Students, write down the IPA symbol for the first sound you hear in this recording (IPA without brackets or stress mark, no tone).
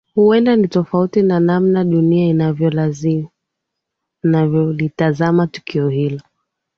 h